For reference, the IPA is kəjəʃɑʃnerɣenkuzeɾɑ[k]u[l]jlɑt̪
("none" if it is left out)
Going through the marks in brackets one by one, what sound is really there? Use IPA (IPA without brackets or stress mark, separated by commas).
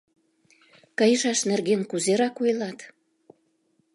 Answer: k, none